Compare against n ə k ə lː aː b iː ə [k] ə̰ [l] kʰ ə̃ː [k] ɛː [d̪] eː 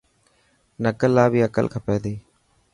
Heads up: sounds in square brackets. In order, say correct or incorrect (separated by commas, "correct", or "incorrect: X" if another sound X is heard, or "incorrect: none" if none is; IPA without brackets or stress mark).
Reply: correct, correct, incorrect: p, correct